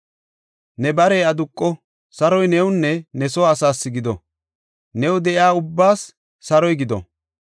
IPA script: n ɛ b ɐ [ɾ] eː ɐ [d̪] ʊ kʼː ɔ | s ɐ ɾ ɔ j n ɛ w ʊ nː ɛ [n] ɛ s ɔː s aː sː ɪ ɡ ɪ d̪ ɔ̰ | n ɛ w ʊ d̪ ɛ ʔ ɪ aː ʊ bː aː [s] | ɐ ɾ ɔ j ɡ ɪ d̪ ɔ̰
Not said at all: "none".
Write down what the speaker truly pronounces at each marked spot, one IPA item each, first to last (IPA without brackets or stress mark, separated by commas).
ɾ, d̪, n, sː